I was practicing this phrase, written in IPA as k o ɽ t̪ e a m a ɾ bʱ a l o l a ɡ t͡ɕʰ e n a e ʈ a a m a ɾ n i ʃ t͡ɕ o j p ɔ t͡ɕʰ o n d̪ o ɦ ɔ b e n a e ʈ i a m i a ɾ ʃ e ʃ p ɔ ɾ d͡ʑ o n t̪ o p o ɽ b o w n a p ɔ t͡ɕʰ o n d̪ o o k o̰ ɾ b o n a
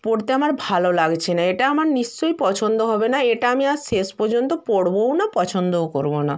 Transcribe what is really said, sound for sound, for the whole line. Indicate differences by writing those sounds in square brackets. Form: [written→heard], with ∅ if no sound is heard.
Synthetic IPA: [k→p] o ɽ t̪ e a m a ɾ bʱ a l o l a ɡ t͡ɕʰ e n a e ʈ a a m a ɾ n i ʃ t͡ɕ o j p ɔ t͡ɕʰ o n d̪ o ɦ ɔ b e n a e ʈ [i→a] a m i a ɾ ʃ e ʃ p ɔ ɾ d͡ʑ o n t̪ o p o ɽ b o w n a p ɔ t͡ɕʰ o n d̪ o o k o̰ ɾ b o n a